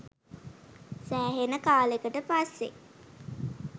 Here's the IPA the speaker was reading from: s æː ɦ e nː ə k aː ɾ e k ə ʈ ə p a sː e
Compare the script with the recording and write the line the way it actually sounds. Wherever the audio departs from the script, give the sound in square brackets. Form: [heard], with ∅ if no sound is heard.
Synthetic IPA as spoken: s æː ɦ e [n] ə k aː [l] e k ə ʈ ə p a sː e